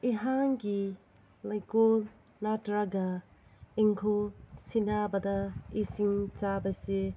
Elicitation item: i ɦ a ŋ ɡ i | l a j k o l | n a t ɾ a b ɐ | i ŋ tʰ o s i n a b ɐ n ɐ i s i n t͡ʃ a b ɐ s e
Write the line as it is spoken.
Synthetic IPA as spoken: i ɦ a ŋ ɡ i | l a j k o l | n a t ɾ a ɡ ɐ | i ŋ kʰ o s i n a b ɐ d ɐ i s i ŋ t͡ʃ a b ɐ s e